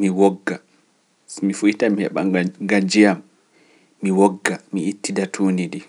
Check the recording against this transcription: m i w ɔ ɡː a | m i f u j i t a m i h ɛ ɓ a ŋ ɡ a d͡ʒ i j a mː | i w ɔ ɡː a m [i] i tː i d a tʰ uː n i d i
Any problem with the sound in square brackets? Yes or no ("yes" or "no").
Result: no